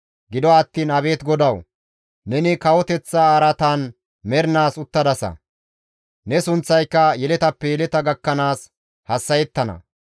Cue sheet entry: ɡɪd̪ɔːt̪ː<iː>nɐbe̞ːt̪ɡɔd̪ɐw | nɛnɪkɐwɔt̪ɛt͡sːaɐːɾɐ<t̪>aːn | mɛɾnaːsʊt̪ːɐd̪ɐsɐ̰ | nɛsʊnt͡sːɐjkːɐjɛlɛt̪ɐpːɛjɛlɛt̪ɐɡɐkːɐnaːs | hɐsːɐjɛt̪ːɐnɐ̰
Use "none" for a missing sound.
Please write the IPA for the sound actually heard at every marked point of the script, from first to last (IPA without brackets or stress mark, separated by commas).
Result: iː, t̪